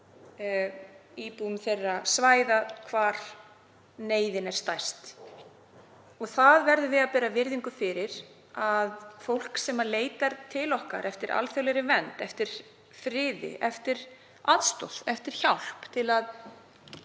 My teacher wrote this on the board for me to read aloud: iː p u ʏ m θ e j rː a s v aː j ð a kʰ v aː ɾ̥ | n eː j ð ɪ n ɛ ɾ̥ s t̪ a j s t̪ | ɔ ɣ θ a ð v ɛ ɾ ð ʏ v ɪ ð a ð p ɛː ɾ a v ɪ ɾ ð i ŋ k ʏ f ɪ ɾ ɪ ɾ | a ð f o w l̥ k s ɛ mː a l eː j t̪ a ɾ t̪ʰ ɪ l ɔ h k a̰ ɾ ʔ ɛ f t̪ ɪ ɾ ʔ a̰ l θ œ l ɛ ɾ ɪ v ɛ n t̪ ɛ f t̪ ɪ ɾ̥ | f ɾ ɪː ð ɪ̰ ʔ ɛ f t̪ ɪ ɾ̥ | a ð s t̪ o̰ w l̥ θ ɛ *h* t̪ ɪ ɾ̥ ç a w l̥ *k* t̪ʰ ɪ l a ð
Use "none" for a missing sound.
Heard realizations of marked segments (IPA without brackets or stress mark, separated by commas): f, p